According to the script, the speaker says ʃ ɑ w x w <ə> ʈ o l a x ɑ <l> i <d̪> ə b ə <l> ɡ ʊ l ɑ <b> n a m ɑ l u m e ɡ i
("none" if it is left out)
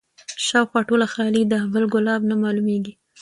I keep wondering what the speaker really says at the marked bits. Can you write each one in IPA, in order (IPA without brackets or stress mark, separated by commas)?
ɑ, l, d̪, l, b